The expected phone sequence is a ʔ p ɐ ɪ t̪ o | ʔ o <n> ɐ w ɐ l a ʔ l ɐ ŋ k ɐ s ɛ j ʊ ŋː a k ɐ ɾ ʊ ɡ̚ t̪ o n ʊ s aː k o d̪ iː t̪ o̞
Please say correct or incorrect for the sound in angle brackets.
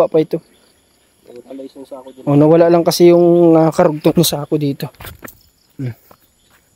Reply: correct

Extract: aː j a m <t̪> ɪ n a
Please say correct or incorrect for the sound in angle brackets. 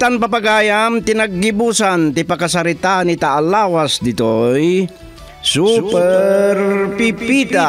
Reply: correct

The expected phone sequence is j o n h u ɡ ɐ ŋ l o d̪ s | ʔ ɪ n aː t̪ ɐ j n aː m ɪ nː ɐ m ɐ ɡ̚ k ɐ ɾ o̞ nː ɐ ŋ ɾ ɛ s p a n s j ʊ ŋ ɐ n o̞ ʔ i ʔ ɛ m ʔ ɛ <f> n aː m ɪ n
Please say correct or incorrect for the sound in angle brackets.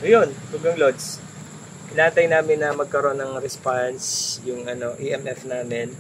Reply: correct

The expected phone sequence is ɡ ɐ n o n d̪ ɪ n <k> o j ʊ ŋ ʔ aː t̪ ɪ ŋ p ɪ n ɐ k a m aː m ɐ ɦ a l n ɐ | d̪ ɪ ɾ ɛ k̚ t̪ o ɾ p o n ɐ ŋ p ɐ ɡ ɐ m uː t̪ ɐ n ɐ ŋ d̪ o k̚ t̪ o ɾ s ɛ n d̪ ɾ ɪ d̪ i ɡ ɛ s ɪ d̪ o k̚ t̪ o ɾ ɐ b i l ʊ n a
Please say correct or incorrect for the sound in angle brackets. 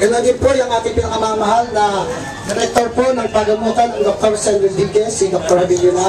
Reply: incorrect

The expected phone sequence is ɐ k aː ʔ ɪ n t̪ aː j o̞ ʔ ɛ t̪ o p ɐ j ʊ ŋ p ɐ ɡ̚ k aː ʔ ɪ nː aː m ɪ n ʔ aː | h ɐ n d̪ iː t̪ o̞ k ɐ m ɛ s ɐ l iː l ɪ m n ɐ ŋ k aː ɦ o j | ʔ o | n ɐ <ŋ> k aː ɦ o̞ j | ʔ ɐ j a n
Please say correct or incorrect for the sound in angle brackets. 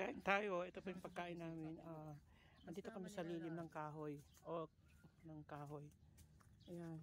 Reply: correct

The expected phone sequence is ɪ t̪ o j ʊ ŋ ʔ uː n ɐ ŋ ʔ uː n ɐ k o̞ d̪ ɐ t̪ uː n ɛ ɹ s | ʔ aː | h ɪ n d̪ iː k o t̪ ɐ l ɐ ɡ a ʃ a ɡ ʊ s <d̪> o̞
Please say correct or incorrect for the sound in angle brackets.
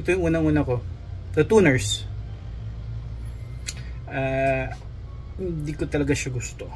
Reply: incorrect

